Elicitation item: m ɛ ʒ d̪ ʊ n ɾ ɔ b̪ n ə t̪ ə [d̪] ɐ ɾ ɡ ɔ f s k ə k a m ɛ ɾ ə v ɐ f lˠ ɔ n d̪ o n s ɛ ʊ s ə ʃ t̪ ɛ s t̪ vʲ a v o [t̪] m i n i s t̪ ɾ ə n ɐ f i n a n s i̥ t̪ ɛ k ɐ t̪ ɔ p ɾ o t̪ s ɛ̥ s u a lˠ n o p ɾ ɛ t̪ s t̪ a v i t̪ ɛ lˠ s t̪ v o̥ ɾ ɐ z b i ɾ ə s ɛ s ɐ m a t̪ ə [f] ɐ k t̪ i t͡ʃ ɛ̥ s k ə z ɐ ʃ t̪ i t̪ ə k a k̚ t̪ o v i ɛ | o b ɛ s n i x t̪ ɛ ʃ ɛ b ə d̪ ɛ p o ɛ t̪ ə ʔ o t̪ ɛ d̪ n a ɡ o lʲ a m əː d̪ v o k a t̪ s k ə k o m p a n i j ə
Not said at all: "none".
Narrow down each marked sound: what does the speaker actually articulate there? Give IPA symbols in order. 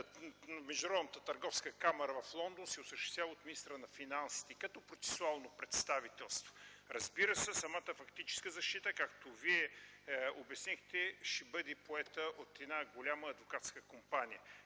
t̪, t̪, f

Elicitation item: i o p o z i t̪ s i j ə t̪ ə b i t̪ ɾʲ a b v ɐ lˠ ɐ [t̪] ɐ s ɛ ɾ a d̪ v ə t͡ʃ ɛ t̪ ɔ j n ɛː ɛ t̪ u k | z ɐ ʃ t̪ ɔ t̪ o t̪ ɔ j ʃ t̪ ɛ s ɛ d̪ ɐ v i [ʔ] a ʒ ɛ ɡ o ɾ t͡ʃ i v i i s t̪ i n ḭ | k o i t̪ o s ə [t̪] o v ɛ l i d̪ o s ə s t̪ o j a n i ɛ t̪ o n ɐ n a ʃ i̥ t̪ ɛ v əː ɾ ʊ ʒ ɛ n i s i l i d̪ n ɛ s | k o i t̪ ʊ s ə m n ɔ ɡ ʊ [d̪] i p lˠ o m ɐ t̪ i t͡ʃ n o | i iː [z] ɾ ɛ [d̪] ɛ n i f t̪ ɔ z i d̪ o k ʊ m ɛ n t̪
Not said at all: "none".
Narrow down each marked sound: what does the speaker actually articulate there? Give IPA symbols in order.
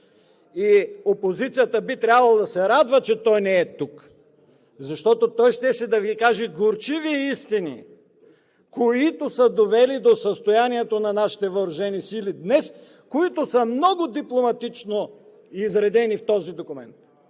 d̪, k, d̪, d̪, z, d̪

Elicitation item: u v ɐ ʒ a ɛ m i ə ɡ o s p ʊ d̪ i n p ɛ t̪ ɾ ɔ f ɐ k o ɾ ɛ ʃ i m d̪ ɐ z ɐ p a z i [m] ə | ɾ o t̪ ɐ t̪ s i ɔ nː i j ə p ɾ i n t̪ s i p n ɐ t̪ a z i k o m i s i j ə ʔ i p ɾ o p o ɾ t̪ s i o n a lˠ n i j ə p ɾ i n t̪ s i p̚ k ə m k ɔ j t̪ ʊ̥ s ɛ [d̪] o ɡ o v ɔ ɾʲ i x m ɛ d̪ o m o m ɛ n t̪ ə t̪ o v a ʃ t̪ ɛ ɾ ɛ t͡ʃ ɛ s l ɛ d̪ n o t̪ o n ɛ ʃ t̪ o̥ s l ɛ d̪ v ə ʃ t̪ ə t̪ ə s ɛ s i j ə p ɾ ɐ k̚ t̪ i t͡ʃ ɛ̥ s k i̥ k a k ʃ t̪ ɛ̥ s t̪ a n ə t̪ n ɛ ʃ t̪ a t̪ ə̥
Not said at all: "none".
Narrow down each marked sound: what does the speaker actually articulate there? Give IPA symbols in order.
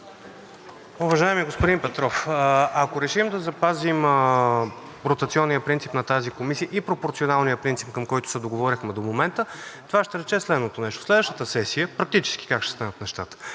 m, d̪

